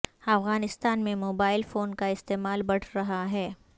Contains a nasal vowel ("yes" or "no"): yes